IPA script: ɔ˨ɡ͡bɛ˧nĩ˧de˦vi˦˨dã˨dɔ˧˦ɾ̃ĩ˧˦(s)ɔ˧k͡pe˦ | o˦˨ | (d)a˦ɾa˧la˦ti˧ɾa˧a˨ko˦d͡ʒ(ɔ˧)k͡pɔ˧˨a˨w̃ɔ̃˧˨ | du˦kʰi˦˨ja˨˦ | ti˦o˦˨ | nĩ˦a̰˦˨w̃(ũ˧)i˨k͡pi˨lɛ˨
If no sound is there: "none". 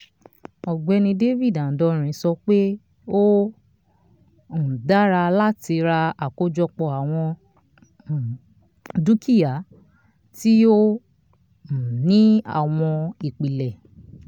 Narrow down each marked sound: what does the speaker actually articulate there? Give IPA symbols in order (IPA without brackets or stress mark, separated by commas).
s, d, ɔ˧, ɔ̃˧